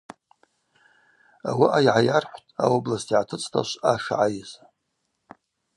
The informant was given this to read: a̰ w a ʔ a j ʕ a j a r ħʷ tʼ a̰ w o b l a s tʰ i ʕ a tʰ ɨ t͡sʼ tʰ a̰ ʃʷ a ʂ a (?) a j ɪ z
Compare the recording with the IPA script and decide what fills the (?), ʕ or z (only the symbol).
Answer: ʕ